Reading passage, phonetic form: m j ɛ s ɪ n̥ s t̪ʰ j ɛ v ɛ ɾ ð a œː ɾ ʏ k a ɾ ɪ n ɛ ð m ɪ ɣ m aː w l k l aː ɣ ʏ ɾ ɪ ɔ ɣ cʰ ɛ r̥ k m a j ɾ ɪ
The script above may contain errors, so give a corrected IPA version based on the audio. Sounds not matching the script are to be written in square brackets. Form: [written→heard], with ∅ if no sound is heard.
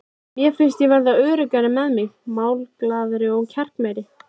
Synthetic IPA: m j ɛ [s→f] ɪ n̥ s [t̪ʰ→t̪] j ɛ v ɛ ɾ ð a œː ɾ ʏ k a ɾ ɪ [n→m] ɛ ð m ɪ ɣ m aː w l k l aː [ɣ→ð] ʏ ɾ ɪ ɔ ɣ cʰ ɛ r̥ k m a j ɾ ɪ